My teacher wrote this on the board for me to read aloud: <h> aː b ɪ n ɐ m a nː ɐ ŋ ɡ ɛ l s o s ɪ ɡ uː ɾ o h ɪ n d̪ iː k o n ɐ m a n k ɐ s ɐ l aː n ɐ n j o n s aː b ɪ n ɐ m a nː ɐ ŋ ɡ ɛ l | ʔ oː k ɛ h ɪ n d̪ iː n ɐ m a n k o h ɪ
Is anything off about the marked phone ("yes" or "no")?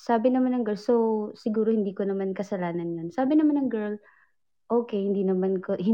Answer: yes